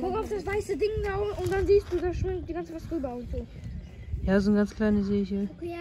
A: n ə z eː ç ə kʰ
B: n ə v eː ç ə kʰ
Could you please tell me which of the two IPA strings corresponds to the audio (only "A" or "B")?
A